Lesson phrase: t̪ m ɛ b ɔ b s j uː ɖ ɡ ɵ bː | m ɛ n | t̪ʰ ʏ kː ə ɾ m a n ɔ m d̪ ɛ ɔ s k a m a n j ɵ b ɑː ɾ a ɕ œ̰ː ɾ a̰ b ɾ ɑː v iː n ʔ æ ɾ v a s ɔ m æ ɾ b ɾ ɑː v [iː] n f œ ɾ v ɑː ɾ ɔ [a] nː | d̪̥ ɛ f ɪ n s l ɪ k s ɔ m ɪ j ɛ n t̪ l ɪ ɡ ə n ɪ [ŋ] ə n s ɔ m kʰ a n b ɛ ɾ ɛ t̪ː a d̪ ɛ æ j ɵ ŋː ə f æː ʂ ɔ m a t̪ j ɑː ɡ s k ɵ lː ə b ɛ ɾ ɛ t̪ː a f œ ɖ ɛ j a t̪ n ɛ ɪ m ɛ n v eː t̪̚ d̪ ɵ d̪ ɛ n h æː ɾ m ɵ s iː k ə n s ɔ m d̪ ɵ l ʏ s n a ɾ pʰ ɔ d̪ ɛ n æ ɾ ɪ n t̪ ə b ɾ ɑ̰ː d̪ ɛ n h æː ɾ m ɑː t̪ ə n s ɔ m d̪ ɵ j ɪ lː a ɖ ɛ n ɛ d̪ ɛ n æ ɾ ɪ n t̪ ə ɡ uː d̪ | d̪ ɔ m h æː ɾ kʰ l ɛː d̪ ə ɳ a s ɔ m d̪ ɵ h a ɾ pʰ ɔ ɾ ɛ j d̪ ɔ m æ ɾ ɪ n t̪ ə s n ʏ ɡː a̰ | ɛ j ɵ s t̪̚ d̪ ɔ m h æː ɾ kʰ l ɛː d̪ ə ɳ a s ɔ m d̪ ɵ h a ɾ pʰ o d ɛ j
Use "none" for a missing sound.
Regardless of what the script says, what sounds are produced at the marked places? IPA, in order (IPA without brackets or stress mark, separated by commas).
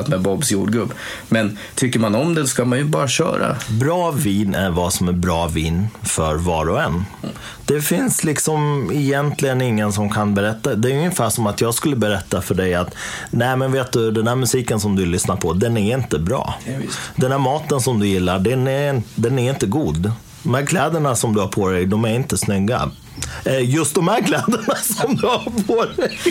iː, ɛ, ŋː